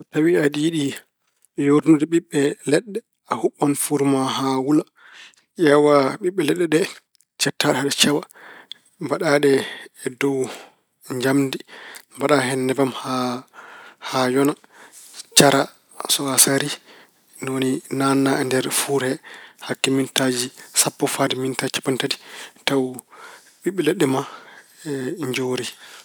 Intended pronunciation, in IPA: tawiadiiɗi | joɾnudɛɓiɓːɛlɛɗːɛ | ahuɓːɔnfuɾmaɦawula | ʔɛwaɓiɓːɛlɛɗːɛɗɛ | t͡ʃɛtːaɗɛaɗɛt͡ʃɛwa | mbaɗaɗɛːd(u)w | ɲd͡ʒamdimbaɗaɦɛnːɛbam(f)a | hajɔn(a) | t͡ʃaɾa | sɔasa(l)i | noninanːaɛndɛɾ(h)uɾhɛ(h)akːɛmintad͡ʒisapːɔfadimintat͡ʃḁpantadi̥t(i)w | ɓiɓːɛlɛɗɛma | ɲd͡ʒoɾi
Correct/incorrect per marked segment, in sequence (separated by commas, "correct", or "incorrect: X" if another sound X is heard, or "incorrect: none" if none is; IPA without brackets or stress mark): incorrect: ɔ, incorrect: h, correct, incorrect: ɾ, incorrect: f, correct, incorrect: a